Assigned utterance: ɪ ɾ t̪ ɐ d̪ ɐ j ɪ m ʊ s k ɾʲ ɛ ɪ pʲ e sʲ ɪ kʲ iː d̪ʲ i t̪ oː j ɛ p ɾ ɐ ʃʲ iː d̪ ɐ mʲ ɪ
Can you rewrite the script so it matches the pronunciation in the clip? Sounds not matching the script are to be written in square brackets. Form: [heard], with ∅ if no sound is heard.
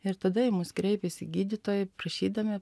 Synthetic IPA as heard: ɪ ɾ t̪ ɐ d̪ ɐ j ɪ m ʊ s k ɾʲ ɛ ɪ pʲ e sʲ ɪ [ɡʲ] iː d̪ʲ [ɪ] t̪ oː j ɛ p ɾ ɐ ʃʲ iː d̪ ɐ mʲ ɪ